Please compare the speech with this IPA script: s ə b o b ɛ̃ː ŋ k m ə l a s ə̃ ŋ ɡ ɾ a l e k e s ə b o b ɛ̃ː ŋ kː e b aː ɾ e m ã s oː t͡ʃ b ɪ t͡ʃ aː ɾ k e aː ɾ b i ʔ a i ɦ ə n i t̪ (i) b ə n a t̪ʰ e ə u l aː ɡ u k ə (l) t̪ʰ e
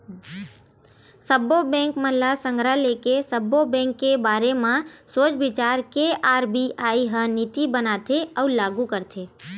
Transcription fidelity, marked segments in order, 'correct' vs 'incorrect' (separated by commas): correct, incorrect